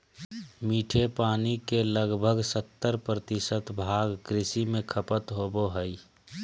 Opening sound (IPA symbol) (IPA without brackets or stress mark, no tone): m